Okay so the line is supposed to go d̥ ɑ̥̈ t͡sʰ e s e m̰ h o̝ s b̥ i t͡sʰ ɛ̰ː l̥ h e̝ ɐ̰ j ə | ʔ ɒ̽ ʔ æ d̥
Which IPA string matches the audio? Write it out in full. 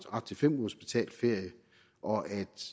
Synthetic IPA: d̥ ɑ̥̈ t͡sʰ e f e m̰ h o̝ s b̥ i t͡sʰ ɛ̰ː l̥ f e̝ ɐ̰ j ə | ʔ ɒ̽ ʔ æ d̥